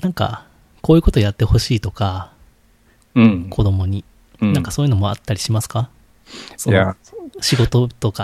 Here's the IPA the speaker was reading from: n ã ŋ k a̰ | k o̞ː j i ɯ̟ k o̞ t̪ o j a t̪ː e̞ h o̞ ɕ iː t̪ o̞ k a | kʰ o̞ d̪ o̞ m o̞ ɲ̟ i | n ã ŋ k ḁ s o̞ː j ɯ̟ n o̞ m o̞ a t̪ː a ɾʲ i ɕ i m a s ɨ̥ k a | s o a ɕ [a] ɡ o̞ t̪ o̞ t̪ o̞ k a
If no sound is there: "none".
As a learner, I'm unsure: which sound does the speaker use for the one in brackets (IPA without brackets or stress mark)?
i